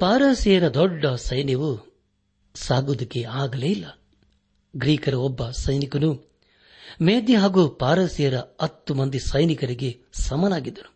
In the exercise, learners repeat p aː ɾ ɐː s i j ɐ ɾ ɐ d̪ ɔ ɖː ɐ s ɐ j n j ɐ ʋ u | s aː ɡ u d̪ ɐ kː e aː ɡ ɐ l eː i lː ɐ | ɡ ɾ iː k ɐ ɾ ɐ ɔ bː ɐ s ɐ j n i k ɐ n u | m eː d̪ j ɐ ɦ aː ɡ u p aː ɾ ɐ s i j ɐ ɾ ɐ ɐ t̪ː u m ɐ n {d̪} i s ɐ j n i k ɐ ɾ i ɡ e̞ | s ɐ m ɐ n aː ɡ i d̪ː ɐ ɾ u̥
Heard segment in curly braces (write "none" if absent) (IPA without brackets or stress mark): d̪